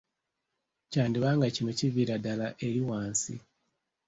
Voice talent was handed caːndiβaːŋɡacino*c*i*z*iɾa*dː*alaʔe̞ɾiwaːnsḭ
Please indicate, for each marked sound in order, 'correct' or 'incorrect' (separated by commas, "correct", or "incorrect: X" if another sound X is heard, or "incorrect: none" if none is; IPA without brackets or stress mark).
correct, incorrect: v, incorrect: d